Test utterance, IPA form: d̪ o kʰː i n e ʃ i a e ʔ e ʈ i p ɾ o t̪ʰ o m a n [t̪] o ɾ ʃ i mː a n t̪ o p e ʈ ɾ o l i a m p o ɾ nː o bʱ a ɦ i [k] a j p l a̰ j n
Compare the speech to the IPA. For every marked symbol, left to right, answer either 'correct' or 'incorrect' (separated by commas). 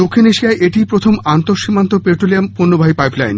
correct, incorrect